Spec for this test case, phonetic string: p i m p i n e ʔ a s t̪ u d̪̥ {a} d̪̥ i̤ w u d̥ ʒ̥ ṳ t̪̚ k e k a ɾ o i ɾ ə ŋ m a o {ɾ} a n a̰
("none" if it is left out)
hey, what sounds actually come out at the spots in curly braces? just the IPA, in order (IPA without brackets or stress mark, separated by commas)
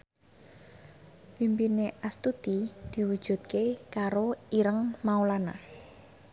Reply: i, l